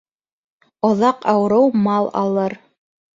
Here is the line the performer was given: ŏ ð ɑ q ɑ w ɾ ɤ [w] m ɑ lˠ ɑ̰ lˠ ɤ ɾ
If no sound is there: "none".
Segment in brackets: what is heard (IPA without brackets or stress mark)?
w